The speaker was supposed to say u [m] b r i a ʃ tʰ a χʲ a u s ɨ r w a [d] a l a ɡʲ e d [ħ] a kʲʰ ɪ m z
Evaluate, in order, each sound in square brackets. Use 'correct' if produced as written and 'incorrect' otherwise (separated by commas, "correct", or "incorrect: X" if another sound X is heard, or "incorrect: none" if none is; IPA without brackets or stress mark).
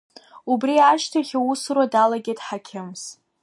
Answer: incorrect: none, correct, correct